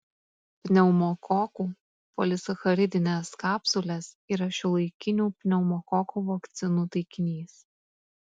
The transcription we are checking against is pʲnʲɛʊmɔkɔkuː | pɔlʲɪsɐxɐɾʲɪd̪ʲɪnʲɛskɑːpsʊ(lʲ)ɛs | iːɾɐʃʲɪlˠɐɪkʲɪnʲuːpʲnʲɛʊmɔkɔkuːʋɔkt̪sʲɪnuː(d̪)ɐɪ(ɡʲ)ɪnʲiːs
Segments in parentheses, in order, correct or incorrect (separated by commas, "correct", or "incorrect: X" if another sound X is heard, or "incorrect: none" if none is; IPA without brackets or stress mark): correct, incorrect: t̪, incorrect: kʲ